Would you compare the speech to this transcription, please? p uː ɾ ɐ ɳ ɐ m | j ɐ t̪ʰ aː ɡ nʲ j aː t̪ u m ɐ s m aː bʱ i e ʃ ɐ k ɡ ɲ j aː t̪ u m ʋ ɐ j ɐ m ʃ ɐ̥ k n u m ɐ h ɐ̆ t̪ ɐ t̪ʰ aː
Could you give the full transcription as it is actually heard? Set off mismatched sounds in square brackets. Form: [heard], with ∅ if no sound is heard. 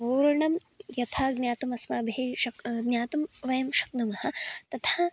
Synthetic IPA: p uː ɾ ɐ ɳ ɐ m | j ɐ t̪ʰ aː ɡ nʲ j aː t̪ u m ɐ s m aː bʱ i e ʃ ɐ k ɡ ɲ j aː t̪ u m ʋ ɐ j ɐ m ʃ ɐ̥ k n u m ɐ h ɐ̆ t̪ ɐ t̪ʰ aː